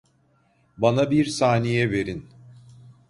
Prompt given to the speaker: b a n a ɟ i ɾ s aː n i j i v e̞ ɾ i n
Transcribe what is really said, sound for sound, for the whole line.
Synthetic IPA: b a n a b i ɾ s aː n i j ɛ v e̞ ɾ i n